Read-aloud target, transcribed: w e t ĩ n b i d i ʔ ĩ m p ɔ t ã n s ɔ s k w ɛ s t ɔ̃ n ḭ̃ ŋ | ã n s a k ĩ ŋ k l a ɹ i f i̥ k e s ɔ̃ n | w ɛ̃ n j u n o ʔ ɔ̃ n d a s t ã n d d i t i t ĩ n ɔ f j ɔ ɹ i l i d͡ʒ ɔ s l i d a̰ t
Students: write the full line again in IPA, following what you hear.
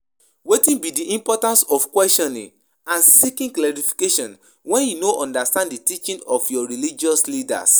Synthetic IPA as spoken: w e t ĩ n b i d i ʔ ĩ m p ɔ t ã n s ɔ f k w ɛ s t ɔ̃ n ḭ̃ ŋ | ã n s i k ĩ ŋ k l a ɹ i f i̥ k e ʃ ɔ̃ n | w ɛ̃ n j u n o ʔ ɔ̃ n d a s t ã n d d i t i t͡ʃ ĩ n ɔ f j ɔ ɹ i l i d͡ʒ ɔ s l i d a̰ s

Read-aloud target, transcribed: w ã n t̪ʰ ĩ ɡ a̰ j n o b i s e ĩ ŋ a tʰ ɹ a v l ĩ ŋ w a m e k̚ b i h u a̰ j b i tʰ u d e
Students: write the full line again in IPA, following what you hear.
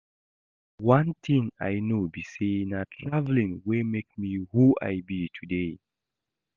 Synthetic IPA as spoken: w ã n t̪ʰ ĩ ŋ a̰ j n o b i s e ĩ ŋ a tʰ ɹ a v l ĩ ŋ w e m e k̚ m i h u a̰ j b i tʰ u d e

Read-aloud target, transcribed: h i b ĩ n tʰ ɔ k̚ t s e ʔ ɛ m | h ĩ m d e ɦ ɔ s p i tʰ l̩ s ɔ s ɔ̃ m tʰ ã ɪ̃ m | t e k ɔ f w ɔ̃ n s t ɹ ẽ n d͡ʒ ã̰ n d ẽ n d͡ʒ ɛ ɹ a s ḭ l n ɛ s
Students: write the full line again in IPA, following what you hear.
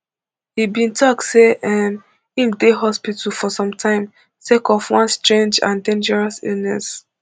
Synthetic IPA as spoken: h i b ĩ n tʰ ɔ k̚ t s e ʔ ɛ m | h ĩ m d e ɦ ɔ s p i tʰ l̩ f ɔ s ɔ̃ m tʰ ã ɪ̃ m | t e k ɔ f w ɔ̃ n s t ɹ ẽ n d͡ʒ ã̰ n d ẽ n d͡ʒ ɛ ɹ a s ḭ l n ɛ s

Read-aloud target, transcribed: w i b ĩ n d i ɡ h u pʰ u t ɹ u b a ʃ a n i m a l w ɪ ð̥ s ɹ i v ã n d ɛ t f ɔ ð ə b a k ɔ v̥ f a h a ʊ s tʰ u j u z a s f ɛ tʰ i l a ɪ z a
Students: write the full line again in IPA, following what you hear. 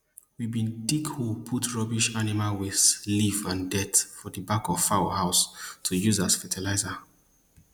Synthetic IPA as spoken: w i b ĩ n d i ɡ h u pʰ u t ɹ ɔ b i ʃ a n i m a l w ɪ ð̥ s l i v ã n d ɛ t f ɔ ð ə b a k ɔ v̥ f a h a ʊ s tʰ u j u z a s f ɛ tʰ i l a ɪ z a

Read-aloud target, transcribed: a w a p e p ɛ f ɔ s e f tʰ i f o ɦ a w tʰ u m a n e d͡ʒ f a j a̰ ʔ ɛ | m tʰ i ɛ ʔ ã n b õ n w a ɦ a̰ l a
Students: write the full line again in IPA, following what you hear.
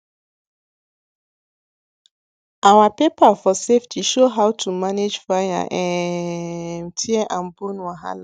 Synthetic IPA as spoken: a w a p e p a f ɔ s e f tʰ i ʃ o ɦ a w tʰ u m a n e d͡ʒ f a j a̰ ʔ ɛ | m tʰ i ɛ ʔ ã n b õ n w a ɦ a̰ l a

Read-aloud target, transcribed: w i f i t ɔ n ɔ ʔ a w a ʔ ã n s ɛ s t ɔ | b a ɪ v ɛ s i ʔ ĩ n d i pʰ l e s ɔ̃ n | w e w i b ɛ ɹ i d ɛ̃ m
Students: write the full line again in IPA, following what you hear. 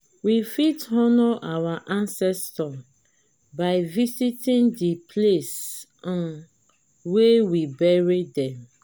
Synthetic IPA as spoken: w i f i t ɔ n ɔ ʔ a w a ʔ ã n s ɛ s t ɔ | b a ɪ v i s i t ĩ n d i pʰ l e s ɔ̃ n | w e w i b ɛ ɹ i d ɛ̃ m

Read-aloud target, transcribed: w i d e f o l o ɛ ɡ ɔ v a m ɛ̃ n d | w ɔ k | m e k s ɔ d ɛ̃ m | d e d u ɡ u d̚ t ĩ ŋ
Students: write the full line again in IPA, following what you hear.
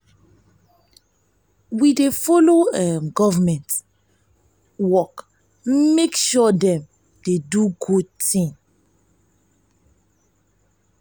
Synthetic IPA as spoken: w i d e f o l o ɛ ɡ ɔ v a m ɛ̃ n t | w ɔ k | m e k ʃ ɔ d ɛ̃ m | d e d u ɡ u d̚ t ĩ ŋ

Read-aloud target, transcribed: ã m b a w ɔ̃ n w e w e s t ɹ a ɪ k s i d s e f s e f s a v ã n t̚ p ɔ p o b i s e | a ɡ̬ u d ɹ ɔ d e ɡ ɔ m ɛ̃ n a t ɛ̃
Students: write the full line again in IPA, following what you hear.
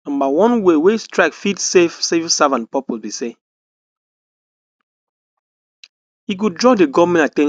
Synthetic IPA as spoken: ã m b a w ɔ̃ n w e w e s t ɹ a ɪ k f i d s e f s e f s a v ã n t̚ p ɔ p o b i s e | i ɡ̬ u d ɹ ɔ d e ɡ ɔ m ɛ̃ n a t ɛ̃

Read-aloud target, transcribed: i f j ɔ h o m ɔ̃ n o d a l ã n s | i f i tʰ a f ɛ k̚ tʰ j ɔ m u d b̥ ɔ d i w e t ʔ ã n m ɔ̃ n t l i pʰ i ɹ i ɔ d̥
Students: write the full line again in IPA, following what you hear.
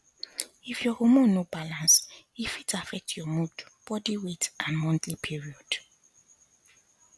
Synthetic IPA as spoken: i f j ɔ h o m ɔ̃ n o b a l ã n s | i f i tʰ a f ɛ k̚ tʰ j ɔ m u d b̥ ɔ d i w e t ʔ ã n m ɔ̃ n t l i pʰ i ɹ i ɔ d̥

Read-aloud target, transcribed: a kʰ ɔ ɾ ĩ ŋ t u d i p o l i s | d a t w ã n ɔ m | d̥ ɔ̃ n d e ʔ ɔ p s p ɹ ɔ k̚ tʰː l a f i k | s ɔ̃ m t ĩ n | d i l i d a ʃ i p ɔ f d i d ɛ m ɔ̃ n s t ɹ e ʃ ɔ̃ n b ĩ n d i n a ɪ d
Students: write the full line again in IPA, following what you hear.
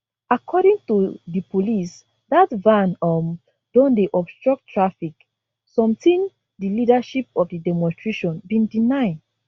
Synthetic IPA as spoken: a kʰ ɔ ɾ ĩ ŋ t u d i p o l i s | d a t v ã n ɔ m | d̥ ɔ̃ n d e ʔ ɔ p s t ɹ ɔ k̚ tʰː ɹ a f i k | s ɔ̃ m t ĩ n | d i l i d a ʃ i p ɔ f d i d ɛ m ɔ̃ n s t ɹ e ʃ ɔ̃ n b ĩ n d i n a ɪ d

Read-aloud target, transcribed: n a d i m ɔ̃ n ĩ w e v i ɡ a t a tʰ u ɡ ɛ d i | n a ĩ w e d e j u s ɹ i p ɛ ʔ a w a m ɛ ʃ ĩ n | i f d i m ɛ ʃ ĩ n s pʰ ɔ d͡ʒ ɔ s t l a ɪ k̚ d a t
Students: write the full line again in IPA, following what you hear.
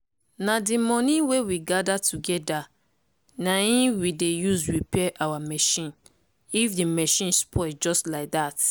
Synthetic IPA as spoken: n a d i m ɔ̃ n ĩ w e w i ɡ a d a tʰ u ɡ ɛ d a | n a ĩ w i d e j u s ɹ i p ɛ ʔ a w a m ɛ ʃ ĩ n | i f d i m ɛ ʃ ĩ n s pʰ ɔ d͡ʒ ɔ s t l a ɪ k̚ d a t

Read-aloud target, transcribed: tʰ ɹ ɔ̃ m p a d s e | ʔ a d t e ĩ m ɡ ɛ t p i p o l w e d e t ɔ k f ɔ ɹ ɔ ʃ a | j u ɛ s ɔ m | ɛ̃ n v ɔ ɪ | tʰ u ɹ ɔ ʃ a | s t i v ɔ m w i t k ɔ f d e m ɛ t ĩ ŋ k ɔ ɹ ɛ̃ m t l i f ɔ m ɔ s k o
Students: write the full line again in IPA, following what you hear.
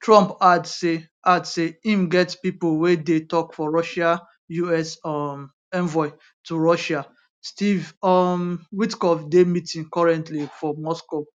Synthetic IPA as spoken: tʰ ɹ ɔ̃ m p a d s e | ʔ a d s e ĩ m ɡ ɛ t p i p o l w e d e t ɔ k f ɔ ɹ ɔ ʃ a | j u ɛ s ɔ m | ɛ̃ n v ɔ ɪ | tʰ u ɹ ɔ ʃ a | s t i v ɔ m w i t k ɔ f d e m i t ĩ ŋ k ɔ ɹ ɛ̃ n t l i f ɔ m ɔ s k o

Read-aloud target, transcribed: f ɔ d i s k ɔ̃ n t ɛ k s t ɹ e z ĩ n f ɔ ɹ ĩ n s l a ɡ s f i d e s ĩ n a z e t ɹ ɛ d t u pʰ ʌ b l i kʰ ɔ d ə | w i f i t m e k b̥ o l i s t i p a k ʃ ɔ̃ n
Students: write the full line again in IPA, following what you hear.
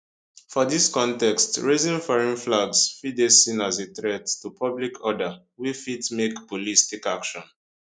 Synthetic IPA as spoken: f ɔ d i s k ɔ̃ n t ɛ k s t ɹ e z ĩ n f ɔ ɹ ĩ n f l a ɡ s f i d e s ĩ n a z e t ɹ ɛ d t u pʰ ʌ b l i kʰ ɔ d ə | w i f i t m e k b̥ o l i s t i k a k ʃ ɔ̃ n

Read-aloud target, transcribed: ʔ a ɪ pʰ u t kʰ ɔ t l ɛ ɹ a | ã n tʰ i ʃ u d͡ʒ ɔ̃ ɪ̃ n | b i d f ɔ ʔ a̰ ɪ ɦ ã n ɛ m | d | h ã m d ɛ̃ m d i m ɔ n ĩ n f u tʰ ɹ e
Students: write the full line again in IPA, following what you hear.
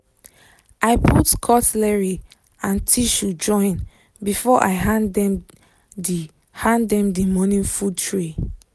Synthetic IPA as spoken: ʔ a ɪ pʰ u t kʰ ɔ t l ɛ ɹ i | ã n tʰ i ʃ u d͡ʒ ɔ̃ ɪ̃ n | b i f ɔ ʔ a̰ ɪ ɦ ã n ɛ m | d | h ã n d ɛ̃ m d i m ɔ n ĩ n f u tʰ ɹ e

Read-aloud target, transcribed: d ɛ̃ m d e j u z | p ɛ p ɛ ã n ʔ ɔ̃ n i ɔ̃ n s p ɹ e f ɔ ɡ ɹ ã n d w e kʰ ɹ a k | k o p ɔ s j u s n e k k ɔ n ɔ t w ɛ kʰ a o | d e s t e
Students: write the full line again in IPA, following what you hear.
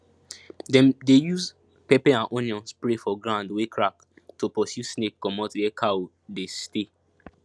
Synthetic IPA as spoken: d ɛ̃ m d e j u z | p ɛ p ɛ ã n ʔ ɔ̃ n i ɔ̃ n s p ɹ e f ɔ ɡ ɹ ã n d w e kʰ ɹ a k | t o p ɔ s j u s n e k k ɔ m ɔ t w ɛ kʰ a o | d e s t e

